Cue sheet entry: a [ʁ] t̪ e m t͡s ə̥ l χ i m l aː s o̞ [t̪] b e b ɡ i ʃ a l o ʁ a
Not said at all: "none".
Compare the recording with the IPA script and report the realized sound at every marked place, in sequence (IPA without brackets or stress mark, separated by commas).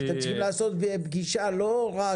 none, t̪